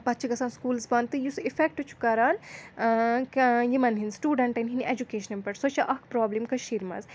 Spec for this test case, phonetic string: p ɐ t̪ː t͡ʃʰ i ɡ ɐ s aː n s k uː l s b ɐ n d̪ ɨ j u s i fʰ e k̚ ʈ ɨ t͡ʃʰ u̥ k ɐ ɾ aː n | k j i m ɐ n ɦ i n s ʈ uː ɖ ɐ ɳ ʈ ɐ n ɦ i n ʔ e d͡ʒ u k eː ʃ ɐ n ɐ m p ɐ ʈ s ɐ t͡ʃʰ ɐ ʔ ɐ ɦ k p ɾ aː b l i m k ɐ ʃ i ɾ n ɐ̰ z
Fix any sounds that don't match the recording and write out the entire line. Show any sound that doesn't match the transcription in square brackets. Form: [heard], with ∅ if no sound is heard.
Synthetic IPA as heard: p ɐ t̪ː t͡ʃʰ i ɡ ɐ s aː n s k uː l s b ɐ n [t̪] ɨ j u s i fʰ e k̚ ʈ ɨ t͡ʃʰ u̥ k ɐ ɾ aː n | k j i m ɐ n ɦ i n s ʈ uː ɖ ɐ ɳ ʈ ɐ n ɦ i n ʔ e d͡ʒ u k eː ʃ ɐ n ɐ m p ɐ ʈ s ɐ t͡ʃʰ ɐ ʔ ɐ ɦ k p ɾ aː b l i m k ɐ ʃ i ɾ [m] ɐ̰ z